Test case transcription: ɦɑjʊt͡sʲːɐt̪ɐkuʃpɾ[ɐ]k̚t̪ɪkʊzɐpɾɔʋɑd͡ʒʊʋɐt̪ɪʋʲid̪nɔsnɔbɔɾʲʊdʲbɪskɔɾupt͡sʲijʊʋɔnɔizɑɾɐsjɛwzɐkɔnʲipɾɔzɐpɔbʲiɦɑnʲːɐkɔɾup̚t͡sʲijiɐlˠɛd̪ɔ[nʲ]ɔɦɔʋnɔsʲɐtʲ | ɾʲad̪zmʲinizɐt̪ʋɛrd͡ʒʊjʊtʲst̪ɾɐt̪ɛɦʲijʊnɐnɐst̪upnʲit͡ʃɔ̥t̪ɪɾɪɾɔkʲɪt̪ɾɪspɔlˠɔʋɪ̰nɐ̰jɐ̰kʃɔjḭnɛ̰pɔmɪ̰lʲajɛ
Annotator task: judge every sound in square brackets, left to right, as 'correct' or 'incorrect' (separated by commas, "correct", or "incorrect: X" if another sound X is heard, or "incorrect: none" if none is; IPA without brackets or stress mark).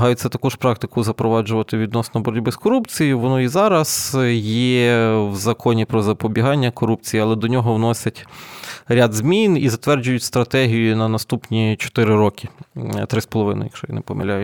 incorrect: ɑ, correct